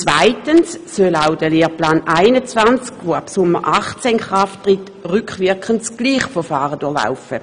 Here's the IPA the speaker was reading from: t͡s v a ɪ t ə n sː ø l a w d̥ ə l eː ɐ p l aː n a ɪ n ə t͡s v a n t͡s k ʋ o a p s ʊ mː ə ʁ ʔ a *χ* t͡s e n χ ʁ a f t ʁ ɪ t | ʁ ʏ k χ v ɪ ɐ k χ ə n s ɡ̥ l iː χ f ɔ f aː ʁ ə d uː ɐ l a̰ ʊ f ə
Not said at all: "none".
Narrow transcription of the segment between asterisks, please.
χ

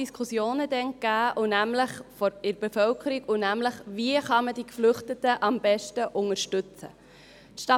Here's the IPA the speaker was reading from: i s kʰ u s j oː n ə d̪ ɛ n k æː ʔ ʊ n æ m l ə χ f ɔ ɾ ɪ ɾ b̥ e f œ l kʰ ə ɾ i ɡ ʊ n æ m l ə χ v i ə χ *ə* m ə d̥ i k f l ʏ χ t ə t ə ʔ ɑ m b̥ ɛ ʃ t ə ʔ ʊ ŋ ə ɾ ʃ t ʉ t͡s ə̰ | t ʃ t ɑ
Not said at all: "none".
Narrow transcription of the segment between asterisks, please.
ɑ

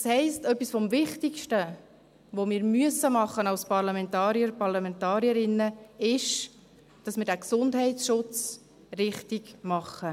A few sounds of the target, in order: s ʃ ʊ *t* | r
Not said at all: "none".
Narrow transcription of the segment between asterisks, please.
t͡s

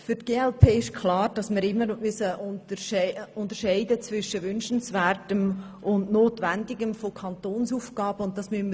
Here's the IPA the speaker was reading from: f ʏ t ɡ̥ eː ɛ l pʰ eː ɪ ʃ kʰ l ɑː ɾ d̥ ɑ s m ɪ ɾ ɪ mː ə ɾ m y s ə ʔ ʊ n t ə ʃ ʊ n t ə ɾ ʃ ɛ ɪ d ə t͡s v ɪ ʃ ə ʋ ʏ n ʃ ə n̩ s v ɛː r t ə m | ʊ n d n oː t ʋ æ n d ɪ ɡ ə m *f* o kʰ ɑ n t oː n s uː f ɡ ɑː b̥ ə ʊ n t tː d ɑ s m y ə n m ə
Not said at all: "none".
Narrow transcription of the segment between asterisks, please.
f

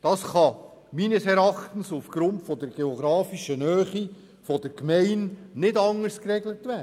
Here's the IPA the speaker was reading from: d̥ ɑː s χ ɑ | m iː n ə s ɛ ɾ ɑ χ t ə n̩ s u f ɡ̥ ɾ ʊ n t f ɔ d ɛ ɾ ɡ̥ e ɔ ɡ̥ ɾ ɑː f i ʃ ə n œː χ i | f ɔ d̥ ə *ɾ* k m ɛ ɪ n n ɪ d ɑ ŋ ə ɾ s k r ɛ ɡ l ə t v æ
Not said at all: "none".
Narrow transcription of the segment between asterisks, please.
ɾ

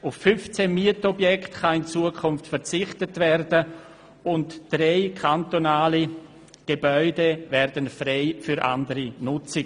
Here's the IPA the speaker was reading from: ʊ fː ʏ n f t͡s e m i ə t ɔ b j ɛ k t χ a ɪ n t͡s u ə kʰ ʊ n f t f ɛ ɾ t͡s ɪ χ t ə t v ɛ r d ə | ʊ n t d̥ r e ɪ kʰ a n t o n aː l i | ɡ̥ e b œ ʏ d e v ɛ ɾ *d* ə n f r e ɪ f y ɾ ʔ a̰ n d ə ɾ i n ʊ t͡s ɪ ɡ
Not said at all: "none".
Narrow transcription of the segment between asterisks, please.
d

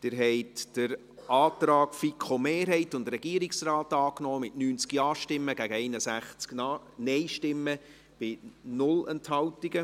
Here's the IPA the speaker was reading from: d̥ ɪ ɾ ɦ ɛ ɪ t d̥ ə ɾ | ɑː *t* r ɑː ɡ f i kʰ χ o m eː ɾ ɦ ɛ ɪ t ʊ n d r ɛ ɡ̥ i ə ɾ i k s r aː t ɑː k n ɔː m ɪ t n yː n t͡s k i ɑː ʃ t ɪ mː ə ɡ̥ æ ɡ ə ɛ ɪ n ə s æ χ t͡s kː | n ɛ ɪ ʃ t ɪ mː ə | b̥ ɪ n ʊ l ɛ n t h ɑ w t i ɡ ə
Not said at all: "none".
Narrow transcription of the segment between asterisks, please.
t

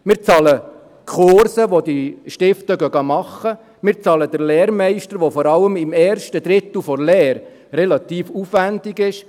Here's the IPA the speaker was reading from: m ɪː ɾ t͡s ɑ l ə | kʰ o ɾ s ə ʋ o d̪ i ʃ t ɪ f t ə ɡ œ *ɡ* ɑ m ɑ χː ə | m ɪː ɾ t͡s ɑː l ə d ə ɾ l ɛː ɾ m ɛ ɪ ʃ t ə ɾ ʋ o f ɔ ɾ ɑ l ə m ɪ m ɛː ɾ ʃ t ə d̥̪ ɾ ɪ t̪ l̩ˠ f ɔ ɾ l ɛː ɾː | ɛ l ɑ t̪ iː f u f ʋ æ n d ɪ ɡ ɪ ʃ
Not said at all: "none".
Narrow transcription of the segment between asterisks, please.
ɡ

